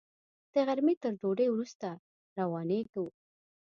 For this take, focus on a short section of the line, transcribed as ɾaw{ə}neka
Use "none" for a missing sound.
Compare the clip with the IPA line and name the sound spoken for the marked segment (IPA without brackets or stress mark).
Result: ɑ